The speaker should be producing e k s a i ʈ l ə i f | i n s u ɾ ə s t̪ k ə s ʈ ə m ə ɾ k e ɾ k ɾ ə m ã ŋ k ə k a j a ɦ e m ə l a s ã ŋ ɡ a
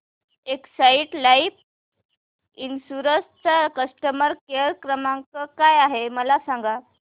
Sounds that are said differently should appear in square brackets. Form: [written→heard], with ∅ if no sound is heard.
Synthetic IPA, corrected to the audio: e k s a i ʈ l [ə→a] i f | i n s u ɾ ə s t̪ k ə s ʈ ə m ə ɾ k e ɾ k ɾ ə m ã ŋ k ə k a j a ɦ e m ə l a s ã ŋ ɡ a

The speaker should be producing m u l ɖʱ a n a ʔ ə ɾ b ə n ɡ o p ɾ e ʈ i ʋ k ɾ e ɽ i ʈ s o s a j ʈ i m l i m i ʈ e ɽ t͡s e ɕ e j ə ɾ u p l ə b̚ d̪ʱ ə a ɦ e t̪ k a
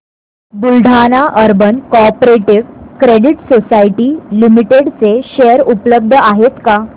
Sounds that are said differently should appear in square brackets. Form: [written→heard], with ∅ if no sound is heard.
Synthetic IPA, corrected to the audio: [m→b] u l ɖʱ a n a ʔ ə ɾ b ə n [ɡ→k] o p ɾ e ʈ i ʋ k ɾ e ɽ i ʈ s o s a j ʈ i [m→∅] l i m i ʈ e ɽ t͡s e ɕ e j ə ɾ u p l ə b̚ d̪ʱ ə a ɦ e t̪ k a

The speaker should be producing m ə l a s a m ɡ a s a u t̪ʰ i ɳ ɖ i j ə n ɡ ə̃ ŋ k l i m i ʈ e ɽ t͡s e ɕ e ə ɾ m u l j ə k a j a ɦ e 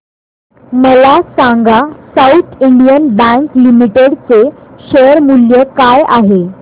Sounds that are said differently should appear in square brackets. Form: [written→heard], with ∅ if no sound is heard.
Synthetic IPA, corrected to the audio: m ə l a s a [m→ŋ] ɡ a s a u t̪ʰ i ɳ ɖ i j ə n [ɡ→b] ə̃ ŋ k l i m i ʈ e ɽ t͡s e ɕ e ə ɾ m u l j ə k a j a ɦ e

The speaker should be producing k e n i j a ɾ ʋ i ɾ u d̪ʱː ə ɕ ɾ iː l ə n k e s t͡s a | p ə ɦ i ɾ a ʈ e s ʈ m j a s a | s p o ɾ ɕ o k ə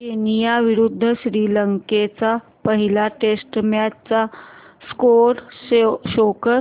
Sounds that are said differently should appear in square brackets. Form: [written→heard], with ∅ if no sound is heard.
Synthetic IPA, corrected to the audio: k e n i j a [ɾ→∅] ʋ i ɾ u d̪ʱː ə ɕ ɾ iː l ə [n→ŋ] k e [s→∅] t͡s a | p ə ɦ i [ɾ→l] a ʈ e s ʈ m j a [s→t͡s] a | s [p→k] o ɾ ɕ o k ə

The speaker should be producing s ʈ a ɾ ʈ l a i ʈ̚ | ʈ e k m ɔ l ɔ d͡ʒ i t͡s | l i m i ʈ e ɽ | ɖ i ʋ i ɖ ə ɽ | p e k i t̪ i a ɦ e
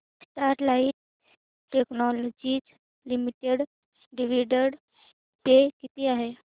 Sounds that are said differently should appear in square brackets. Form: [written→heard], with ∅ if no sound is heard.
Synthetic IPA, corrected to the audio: s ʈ a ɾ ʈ l a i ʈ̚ | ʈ e k [m→n] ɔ l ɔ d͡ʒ i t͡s | l i m i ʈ e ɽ | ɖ i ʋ i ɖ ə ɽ | p e k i t̪ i a ɦ e

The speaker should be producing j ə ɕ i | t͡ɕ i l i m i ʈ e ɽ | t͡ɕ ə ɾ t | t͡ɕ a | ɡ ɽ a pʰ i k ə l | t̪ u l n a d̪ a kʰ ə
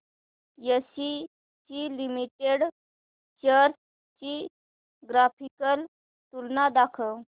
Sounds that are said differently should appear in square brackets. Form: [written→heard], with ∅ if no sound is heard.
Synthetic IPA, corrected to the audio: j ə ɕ i | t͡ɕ i l i m i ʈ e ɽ | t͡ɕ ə ɾ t | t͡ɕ [a→i] | ɡ [ɽ→ɾ] a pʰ i k ə l | t̪ u l n a d̪ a kʰ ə

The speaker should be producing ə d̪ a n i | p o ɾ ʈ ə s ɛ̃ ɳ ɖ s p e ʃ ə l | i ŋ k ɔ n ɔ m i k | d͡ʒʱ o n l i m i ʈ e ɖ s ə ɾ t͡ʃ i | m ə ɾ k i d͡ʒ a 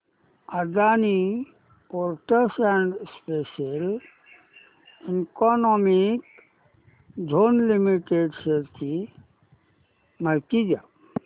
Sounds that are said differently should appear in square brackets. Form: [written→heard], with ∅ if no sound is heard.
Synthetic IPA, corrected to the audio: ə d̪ a n i | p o ɾ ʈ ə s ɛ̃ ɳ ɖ s p e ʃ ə l | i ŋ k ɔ n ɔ m i k | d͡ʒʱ o n l i m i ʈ e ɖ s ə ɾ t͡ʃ i | m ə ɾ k i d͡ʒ a

